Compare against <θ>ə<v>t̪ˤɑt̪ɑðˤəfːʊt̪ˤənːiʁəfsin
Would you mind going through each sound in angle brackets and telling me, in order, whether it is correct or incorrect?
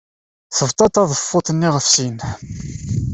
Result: correct, correct

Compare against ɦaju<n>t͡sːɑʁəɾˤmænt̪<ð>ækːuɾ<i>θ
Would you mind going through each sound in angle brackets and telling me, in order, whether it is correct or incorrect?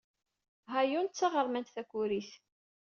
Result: correct, incorrect: θ, correct

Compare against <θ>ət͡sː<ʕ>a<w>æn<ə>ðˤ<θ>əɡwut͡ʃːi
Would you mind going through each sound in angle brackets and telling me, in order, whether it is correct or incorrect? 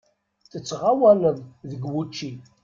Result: correct, incorrect: ʁ, correct, correct, incorrect: ð

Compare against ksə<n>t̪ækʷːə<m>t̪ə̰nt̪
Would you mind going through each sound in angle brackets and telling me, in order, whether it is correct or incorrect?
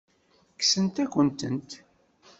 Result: correct, incorrect: n

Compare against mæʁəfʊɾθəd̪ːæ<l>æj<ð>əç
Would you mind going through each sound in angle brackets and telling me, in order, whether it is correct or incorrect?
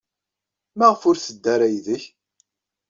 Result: incorrect: ɾ, correct

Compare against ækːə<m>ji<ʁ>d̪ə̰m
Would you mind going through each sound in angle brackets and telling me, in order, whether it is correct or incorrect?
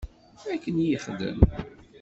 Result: incorrect: n, incorrect: χ

